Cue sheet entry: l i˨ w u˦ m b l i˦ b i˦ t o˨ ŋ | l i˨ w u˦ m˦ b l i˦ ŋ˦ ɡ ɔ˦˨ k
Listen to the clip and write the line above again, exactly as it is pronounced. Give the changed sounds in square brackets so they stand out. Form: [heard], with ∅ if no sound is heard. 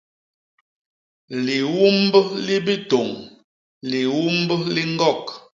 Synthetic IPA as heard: l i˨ w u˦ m b l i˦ b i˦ t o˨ ŋ | l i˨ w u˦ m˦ b l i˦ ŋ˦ ɡ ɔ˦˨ k